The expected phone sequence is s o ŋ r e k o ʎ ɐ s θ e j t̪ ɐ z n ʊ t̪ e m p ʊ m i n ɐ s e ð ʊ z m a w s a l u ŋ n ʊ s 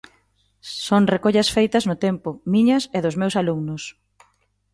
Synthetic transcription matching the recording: s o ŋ r e k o ʎ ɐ s f e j t̪ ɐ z n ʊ t̪ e m p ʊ m i ɲ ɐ s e ð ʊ z m e w s a l u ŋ n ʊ s